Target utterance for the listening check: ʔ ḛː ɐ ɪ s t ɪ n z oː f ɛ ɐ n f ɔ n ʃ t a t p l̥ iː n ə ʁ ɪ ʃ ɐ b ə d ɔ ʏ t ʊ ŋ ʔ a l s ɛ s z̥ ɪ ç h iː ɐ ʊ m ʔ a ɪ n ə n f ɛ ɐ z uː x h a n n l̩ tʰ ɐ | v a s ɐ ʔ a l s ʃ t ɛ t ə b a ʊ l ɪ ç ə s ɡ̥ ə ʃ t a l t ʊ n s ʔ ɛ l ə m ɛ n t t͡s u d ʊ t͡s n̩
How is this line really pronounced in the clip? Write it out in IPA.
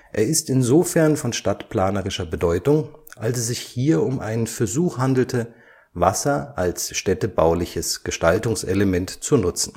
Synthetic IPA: ʔ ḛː ɐ ɪ s t ɪ n z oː f ɛ ɐ n f ɔ n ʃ t a t p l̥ aː n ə ʁ ɪ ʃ ɐ b ə d ɔ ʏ t ʊ ŋ ʔ a l s ɛ s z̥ ɪ ç h iː ɐ ʊ m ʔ a ɪ n ə n f ɛ ɐ z uː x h a n d l̩ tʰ ə | v a s ɐ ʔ a l s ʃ t ɛ t ə b a ʊ l ɪ ç ə s ɡ̥ ə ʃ t a l t ʊ ŋ s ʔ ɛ l ə m ɛ n t t͡s u n ʊ t͡s n̩